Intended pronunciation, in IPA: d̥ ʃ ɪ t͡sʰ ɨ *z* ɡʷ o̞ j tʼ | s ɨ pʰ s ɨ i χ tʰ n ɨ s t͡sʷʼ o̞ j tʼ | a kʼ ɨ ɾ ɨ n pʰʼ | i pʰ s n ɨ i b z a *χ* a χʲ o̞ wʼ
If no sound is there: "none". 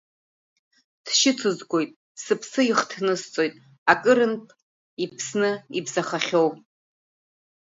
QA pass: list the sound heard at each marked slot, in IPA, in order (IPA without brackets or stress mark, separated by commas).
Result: z, χ